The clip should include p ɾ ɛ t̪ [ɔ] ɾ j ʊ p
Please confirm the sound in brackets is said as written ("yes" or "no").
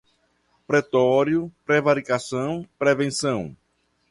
yes